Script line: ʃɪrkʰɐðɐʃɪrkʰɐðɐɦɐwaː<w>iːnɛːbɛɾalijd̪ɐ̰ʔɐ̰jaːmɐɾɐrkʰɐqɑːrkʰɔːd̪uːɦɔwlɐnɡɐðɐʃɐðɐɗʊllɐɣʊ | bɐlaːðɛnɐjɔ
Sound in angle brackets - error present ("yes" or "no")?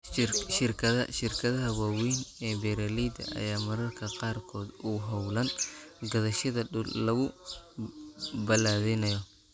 no